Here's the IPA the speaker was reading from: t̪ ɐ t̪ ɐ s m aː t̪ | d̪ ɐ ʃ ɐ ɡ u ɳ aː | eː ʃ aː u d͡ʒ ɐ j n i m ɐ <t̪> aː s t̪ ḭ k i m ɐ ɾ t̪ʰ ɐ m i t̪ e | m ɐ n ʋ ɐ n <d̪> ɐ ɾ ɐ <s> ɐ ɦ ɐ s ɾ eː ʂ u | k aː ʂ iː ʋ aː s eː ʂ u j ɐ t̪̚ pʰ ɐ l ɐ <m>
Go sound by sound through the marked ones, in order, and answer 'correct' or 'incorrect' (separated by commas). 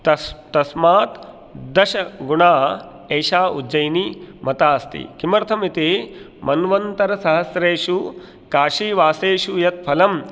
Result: correct, incorrect, correct, correct